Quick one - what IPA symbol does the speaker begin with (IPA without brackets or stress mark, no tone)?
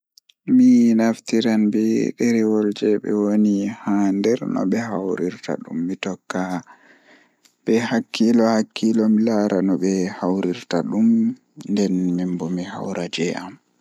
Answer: m